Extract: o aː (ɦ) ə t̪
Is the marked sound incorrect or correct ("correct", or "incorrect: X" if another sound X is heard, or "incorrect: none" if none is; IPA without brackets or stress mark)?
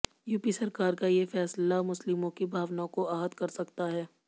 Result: correct